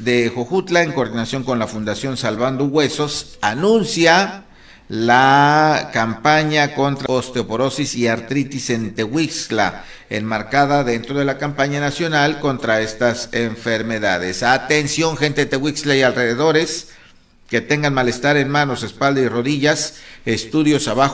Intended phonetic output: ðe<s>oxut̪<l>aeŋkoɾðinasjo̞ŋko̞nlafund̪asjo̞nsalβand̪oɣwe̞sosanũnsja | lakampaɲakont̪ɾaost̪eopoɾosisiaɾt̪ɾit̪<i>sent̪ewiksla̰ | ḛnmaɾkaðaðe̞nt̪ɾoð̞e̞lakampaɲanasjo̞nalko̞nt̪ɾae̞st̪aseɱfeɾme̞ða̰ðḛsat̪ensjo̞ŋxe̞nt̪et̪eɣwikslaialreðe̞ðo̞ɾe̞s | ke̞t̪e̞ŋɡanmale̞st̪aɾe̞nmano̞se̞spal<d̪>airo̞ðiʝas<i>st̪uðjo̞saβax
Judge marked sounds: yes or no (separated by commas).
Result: no, yes, yes, yes, no